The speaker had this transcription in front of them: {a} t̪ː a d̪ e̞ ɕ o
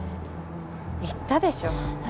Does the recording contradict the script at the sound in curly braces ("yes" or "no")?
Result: yes